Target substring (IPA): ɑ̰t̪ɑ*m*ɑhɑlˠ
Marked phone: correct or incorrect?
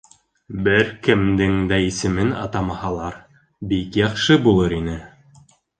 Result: correct